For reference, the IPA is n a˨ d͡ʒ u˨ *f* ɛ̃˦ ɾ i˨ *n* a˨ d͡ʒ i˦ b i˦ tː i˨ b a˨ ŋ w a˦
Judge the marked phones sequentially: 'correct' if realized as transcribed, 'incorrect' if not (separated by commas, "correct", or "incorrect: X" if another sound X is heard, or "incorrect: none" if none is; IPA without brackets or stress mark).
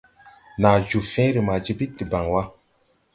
correct, incorrect: m